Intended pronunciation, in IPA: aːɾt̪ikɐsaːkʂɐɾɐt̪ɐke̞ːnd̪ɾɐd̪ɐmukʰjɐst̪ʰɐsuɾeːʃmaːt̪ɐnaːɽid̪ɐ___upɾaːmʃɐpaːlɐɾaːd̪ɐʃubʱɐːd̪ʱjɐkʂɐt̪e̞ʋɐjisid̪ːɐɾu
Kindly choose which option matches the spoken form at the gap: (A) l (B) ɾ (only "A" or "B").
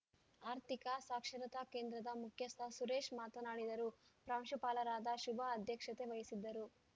B